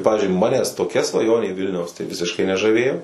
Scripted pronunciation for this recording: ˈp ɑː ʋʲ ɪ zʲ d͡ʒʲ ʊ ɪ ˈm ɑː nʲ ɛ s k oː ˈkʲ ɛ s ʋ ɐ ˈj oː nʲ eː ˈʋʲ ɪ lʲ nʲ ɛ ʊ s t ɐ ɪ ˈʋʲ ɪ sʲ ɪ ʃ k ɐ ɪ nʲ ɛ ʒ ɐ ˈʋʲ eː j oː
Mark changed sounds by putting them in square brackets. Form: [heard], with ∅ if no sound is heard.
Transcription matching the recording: ˈp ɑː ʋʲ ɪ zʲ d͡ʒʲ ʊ ɪ ˈm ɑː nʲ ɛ s [t] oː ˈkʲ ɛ s ʋ ɐ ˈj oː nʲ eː ˈʋʲ ɪ lʲ nʲ ɛ ʊ s t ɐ ɪ ˈʋʲ ɪ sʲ ɪ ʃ k ɐ ɪ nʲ ɛ ʒ ɐ ˈʋʲ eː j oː